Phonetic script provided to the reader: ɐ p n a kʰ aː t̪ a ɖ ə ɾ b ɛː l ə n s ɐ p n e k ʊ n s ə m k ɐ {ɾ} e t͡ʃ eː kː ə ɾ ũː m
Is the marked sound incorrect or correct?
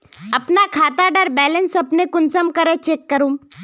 correct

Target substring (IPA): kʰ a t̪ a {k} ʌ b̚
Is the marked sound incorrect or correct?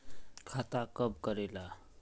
correct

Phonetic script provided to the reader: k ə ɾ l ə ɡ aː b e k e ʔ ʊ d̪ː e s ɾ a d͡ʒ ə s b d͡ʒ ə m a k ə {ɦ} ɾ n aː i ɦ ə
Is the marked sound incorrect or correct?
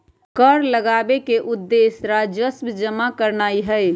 incorrect: none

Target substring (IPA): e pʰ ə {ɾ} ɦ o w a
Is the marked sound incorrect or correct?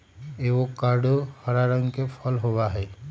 incorrect: l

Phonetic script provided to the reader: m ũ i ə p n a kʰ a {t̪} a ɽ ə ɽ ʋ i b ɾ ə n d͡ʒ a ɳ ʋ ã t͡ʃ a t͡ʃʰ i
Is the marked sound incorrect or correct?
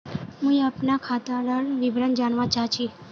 correct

